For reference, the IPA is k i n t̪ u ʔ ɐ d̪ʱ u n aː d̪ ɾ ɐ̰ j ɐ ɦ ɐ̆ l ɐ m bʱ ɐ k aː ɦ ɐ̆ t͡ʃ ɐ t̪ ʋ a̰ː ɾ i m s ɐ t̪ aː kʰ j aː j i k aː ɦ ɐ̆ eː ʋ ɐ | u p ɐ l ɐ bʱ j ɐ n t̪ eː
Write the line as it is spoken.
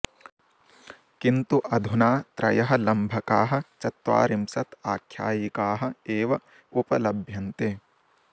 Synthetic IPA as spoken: k i n t̪ u ʔ ɐ d̪ʱ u n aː t̪ ɾ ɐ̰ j ɐ ɦ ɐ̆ l ɐ m bʱ ɐ k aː ɦ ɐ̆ t͡ʃ ɐ t̪ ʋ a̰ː ɾ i m s ɐ t̪ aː kʰ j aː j i k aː ɦ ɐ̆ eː ʋ ɐ | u p ɐ l ɐ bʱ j ɐ n t̪ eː